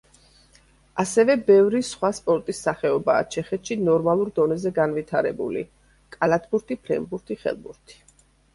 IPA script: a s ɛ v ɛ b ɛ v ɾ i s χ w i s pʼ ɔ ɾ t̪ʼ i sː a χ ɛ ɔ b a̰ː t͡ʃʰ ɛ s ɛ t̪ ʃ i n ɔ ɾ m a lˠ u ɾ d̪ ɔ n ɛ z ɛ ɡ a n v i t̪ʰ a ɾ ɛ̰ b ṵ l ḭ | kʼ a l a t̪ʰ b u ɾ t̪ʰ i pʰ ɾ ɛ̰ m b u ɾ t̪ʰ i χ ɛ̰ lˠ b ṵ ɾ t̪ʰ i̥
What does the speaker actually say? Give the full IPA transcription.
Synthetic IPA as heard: a s ɛ v ɛ b ɛ v ɾ i s χ w a s pʼ ɔ ɾ t̪ʼ i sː a χ ɛ ɔ b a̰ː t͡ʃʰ ɛ χ ɛ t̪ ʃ i n ɔ ɾ m a lˠ u ɾ d̪ ɔ n ɛ z ɛ ɡ a n v i t̪ʰ a ɾ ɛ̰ b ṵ l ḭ | kʼ a l a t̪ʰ b u ɾ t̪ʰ i pʰ ɾ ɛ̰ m b u ɾ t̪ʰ i χ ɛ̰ lˠ b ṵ ɾ t̪ʰ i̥

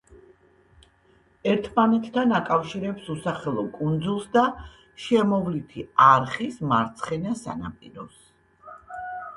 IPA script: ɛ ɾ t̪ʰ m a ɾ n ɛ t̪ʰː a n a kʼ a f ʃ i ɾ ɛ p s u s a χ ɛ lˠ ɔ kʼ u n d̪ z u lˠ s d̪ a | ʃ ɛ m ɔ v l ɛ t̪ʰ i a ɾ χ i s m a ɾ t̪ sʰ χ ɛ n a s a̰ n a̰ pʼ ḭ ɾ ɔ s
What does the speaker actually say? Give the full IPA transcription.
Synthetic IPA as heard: ɛ ɾ t̪ʰ m a n ɛ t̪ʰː a n a kʼ a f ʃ i ɾ ɛ p s u s a χ ɛ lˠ ɔ kʼ u n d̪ z u lˠ s d̪ a | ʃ ɛ m ɔ v l i t̪ʰ i a ɾ χ i s m a ɾ t̪ sʰ χ ɛ n a s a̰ n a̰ pʼ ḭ ɾ ɔ s

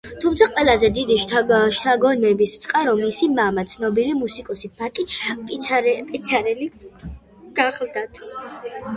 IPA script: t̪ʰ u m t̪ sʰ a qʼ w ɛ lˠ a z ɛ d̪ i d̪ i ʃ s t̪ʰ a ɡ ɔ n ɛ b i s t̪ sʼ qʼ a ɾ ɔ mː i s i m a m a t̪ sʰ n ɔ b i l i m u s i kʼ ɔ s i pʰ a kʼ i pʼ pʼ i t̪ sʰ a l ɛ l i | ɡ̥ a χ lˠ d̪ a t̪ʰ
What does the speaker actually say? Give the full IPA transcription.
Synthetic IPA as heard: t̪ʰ u m t̪ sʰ a qʼ w ɛ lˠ a z ɛ d̪ i d̪ i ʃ ʃ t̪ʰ a ɡ ɔ n ɛ b i s t̪ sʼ qʼ a ɾ ɔ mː i s i m a m a t̪ sʰ n ɔ b i l i m u s i kʼ ɔ s i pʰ a kʼ i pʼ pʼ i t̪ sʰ a ɾ ɛ l i | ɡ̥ a χ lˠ d̪ a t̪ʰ

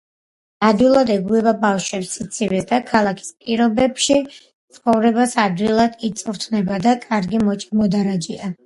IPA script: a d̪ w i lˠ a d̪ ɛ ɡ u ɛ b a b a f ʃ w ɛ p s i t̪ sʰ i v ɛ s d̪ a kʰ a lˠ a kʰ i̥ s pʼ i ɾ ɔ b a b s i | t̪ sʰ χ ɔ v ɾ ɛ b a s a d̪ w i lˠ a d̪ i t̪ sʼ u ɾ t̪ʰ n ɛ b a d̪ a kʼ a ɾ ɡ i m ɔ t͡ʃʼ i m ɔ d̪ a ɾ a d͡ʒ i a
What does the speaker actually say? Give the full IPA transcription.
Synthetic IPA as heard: a d̪ w i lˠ a d̪ ɛ ɡ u ɛ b a b a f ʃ w ɛ p s i t̪ sʰ i v ɛ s d̪ a kʰ a lˠ a kʰ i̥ s pʼ i ɾ ɔ b ɛ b ʃ i | t̪ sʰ χ ɔ v ɾ ɛ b a s a d̪ w i lˠ a d̪ i t̪ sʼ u ɾ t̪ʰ n ɛ b a d̪ a kʼ a ɾ ɡ i m ɔ t͡ʃʼ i m ɔ d̪ a ɾ a d͡ʒ i a

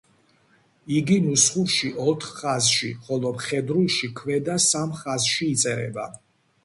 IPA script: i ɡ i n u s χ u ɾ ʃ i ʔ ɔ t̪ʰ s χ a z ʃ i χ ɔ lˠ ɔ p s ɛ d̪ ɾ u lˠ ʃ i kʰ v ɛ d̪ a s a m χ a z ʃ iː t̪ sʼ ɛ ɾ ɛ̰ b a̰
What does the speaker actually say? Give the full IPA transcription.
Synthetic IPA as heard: i ɡ i n u s χ u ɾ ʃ i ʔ ɔ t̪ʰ χ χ a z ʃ i χ ɔ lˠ ɔ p χ ɛ d̪ ɾ u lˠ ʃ i kʰ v ɛ d̪ a s a m χ a z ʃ iː t̪ sʼ ɛ ɾ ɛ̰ b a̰

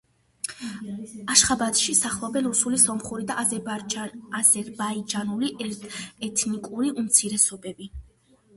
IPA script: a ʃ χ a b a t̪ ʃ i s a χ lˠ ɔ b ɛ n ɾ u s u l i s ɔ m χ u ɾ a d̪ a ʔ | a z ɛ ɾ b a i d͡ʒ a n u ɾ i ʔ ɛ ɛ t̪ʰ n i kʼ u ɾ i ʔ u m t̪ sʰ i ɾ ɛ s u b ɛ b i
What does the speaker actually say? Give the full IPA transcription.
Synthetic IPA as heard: a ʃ χ a b a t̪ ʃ i s a χ lˠ ɔ b ɛ n ɾ u s u l i s ɔ m χ u ɾ i d̪ a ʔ | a z ɛ ɾ b a i d͡ʒ a n u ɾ i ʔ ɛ ɛ t̪ʰ n i kʼ u ɾ i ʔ u m t̪ sʰ i ɾ ɛ s ɔ b ɛ b i

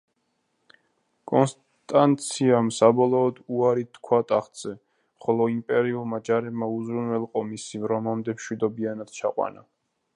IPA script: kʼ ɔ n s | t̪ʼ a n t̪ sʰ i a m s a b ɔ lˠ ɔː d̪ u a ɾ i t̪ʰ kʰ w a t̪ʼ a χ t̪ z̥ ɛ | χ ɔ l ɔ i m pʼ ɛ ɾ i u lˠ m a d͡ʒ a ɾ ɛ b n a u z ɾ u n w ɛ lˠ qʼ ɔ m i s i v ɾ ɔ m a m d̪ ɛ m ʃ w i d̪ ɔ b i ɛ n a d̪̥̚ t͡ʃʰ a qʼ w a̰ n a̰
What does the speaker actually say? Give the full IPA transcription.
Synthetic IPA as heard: kʼ ɔ n s | t̪ʼ a n t̪ sʰ i a m s a b ɔ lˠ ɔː d̪ u a ɾ i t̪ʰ kʰ w a t̪ʼ a χ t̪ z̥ ɛ | χ ɔ l ɔ i m pʼ ɛ ɾ i u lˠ m a d͡ʒ a ɾ ɛ b m a u z ɾ u n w ɛ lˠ qʼ ɔ m i s i v ɾ ɔ m a m d̪ ɛ m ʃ w i d̪ ɔ b i a n a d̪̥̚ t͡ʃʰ a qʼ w a̰ n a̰

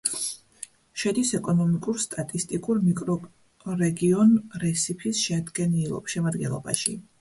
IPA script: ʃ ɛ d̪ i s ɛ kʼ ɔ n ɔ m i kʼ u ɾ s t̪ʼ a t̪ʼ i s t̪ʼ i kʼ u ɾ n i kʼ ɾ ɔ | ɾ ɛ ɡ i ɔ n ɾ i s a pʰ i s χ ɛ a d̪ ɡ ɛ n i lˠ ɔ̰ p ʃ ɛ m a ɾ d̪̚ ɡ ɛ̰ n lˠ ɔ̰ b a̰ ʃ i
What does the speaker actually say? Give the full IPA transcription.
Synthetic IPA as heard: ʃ ɛ d̪ i s ɛ kʼ ɔ n ɔ m i kʼ u ɾ s t̪ʼ a t̪ʼ i s t̪ʼ i kʼ u ɾ m i kʼ ɾ ɔ | ɾ ɛ ɡ i ɔ n ɾ ɛ s i pʰ i s ʃ ɛ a d̪ ɡ ɛ n i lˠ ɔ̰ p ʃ ɛ m a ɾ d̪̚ ɡ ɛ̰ n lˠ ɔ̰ b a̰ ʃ i

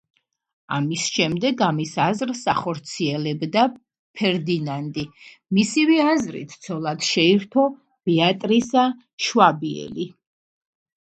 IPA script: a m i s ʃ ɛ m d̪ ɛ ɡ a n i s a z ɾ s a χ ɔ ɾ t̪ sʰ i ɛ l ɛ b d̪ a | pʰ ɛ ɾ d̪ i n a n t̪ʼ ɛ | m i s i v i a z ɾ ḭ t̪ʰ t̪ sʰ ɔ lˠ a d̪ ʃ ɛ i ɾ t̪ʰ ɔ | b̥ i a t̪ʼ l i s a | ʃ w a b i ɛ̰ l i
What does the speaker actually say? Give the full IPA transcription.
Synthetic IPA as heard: a m i s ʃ ɛ m d̪ ɛ ɡ a m i s a z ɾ s a χ ɔ ɾ t̪ sʰ i ɛ l ɛ b d̪ a | pʰ ɛ ɾ d̪ i n a n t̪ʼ i | m i s i v i a z ɾ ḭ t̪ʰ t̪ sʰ ɔ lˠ a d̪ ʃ ɛ i ɾ t̪ʰ ɔ | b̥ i a t̪ʼ ɾ i s a | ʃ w a b i ɛ̰ l i

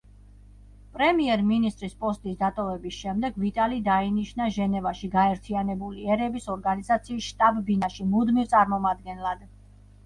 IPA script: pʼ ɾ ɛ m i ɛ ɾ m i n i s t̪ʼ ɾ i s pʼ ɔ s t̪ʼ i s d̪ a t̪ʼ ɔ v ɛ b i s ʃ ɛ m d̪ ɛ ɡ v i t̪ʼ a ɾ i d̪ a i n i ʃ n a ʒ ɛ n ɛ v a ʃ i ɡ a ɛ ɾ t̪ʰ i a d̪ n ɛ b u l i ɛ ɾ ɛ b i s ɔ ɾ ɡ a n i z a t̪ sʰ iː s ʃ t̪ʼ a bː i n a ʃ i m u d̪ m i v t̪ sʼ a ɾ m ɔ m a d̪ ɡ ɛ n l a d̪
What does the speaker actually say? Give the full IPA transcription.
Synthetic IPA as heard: pʼ ɾ ɛ m i ɛ ɾ m i n i s t̪ʼ ɾ i s pʼ ɔ s t̪ʼ i s d̪ a t̪ʼ ɔ v ɛ b i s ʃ ɛ m d̪ ɛ ɡ v i t̪ʼ a l i d̪ a i n i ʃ n a ʒ ɛ n ɛ v a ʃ i ɡ a ɛ ɾ t̪ʰ i a n ɛ b u l i ɛ ɾ ɛ b i s ɔ ɾ ɡ a n i z a t̪ sʰ iː s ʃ t̪ʼ a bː i n a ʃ i m u d̪ m i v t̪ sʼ a ɾ m ɔ m a d̪ ɡ ɛ n l a d̪

